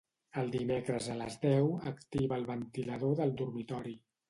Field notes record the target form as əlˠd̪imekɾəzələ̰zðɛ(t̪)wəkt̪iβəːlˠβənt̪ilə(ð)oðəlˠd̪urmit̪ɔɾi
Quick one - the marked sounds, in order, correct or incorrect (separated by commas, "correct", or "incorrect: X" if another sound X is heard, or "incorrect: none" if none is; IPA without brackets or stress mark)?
incorrect: none, correct